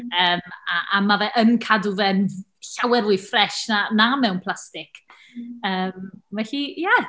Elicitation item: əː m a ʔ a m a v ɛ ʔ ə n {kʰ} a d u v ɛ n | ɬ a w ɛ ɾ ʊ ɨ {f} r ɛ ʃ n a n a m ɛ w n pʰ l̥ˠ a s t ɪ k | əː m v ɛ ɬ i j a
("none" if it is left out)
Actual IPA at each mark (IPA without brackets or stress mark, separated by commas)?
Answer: kʰ, f